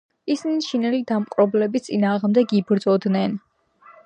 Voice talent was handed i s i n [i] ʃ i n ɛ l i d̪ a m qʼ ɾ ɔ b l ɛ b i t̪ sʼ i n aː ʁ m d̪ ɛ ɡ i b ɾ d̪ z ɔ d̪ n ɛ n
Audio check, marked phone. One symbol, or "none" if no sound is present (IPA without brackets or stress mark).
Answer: i